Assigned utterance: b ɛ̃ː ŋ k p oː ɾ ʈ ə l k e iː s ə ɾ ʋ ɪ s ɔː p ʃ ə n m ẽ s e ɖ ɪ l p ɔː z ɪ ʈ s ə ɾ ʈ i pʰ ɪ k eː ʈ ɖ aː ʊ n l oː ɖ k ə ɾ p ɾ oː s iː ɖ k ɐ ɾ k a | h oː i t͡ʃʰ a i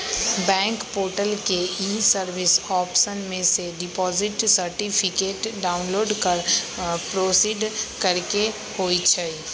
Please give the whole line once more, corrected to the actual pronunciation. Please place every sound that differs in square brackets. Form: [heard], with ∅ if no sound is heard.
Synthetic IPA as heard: b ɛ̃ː ŋ k p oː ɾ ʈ ə l k e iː s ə ɾ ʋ ɪ s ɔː p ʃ ə n m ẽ s e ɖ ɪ [∅] p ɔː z ɪ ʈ s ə ɾ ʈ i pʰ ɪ k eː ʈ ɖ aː ʊ n l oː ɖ k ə ɾ p ɾ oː s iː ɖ k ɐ ɾ k [e] | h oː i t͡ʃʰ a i